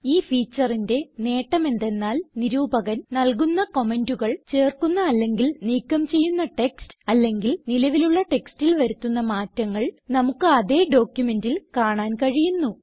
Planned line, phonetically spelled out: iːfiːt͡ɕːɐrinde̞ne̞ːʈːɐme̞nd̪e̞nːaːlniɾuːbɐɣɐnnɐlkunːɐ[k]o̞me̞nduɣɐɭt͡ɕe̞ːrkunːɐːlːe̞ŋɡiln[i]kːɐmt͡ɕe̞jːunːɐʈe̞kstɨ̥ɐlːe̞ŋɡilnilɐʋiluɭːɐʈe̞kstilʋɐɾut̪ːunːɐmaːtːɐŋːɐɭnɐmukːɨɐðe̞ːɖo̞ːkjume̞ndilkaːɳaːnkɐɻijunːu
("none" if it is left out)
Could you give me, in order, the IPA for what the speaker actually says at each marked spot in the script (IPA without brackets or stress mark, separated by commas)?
k, iː